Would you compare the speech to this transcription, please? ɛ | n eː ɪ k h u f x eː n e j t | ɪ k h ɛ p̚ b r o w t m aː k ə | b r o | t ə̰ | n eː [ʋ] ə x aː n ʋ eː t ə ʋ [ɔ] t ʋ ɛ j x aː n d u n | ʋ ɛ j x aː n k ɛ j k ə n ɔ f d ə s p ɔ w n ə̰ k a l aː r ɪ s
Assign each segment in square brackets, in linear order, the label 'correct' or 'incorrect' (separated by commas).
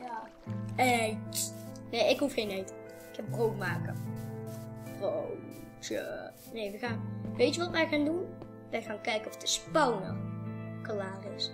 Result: correct, correct